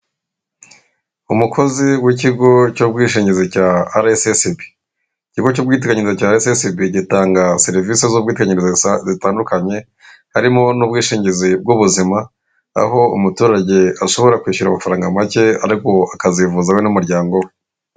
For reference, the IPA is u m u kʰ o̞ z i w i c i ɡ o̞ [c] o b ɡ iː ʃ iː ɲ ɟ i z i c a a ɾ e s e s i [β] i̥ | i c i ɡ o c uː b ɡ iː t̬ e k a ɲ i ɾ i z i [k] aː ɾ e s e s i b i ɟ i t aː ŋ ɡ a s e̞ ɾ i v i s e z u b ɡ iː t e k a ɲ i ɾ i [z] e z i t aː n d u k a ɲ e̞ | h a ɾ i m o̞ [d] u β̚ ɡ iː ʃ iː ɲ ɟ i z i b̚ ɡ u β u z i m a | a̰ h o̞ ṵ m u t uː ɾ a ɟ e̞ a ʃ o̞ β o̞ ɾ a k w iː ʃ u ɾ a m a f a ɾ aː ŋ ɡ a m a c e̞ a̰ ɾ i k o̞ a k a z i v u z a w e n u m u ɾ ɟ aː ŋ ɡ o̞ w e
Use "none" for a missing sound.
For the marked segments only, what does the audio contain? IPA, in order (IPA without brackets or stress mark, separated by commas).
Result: c, b, c, z, n